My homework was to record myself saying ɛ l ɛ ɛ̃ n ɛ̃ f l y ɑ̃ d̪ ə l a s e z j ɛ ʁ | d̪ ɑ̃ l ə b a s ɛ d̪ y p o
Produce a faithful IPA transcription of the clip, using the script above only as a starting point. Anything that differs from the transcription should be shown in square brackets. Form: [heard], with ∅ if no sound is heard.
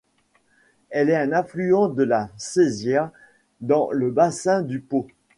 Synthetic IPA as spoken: ɛ l ɛ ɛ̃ n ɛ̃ f l y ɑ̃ d̪ ə l a s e z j ɛ ʁ | d̪ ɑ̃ l ə b a s [ɛ̃] d̪ y p o